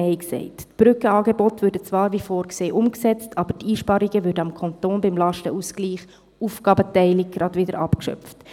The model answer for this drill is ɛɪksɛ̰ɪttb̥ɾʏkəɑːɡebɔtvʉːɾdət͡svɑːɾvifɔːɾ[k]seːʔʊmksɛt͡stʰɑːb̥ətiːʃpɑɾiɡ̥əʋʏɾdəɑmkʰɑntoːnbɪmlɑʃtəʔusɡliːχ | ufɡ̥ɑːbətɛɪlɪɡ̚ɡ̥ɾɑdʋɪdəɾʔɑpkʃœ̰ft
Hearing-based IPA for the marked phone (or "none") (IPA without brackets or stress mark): k